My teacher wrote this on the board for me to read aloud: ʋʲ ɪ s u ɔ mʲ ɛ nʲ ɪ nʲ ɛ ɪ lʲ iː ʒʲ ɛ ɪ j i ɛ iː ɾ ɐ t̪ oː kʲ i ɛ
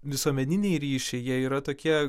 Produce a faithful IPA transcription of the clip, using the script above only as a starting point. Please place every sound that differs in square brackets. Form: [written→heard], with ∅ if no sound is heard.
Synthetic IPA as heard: ʋʲ ɪ s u ɔ mʲ ɛ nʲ ɪ nʲ ɛ ɪ [lʲ→ɾʲ] iː [ʒʲ→ʃʲ] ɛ ɪ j i ɛ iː ɾ ɐ t̪ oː kʲ i ɛ